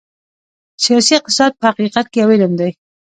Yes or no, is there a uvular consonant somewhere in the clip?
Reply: yes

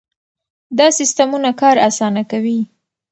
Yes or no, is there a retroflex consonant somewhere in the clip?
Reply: no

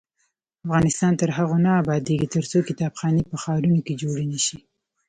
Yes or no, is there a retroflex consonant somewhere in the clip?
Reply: yes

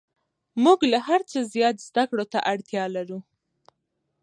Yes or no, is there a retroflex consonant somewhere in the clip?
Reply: yes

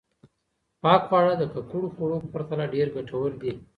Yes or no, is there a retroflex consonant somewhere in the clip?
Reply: yes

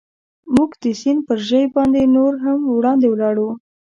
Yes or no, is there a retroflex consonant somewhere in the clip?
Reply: yes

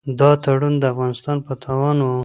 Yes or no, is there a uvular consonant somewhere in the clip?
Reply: no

